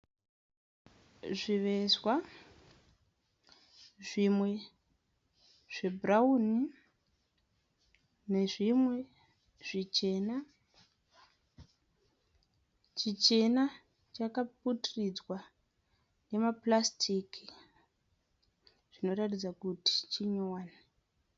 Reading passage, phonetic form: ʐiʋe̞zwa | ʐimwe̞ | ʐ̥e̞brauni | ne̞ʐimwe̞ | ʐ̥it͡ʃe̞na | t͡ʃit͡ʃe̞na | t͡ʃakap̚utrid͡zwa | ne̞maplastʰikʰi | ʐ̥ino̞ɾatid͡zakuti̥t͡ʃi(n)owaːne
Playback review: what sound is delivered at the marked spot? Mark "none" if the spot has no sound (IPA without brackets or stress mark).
ɲ